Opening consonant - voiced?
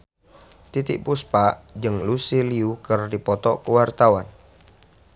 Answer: no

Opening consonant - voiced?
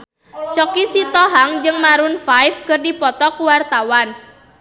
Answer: no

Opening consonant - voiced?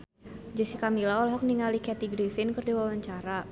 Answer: yes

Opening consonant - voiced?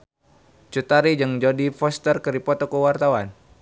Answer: no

